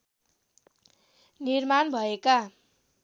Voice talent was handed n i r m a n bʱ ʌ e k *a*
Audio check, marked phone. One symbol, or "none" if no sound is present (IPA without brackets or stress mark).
a